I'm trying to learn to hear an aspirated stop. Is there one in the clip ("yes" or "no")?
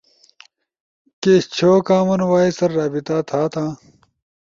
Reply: yes